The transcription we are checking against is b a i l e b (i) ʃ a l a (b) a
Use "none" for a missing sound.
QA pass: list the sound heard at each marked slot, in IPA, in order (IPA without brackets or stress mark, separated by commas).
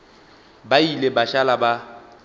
a, b